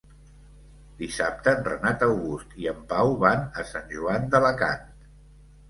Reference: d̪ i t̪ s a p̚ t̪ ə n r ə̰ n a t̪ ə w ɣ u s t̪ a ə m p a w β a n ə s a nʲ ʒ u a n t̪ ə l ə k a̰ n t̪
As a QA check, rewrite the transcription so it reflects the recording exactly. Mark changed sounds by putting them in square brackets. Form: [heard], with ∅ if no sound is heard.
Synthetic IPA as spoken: d̪ i [∅] s a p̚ t̪ ə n r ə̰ n a t̪ ə w ɣ u s t̪ [i] ə m p a w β a n ə s a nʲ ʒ u a n [d̪] ə l ə k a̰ n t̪